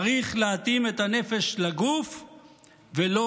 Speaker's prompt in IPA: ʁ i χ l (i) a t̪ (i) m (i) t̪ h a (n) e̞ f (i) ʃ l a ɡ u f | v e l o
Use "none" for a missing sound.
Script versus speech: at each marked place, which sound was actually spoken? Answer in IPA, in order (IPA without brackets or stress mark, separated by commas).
e, i, e, n, e